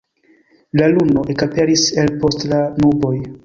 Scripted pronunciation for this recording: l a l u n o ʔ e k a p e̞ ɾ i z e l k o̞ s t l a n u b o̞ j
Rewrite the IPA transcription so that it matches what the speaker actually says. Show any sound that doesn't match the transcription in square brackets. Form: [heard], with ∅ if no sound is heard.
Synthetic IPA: l a l u n o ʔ e k a p e̞ ɾ i [s] e l [p] o̞ s t l a n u b o̞ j